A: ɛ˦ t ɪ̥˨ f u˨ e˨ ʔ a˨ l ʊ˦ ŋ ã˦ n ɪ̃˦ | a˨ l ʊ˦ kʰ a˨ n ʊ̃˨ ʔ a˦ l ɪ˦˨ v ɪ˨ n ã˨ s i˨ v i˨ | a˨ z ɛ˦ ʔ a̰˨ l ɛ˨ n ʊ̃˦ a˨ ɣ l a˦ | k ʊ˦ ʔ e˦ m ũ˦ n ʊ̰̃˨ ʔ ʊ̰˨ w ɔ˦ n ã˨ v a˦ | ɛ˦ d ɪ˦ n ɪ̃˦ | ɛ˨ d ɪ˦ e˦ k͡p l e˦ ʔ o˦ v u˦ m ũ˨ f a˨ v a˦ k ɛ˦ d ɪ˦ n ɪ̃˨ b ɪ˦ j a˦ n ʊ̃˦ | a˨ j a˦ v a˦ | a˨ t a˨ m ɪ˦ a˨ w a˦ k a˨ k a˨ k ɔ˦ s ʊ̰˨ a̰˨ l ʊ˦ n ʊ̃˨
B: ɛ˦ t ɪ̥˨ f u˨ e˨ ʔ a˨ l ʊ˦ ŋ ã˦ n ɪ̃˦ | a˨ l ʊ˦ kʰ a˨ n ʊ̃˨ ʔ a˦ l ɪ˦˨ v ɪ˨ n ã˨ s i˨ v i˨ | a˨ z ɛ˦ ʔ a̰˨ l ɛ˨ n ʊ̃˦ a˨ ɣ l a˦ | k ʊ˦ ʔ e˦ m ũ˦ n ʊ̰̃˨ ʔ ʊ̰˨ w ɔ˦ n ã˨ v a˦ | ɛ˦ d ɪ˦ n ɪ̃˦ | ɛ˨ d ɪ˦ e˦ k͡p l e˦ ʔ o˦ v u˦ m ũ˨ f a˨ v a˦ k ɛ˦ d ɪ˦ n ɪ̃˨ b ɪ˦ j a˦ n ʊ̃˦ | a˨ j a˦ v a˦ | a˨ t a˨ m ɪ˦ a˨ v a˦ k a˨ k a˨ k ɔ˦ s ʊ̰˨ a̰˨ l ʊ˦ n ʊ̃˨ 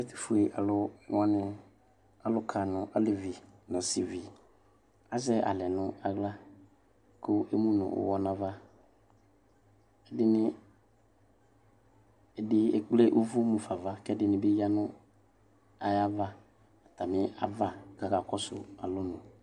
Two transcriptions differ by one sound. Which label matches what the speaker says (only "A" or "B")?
B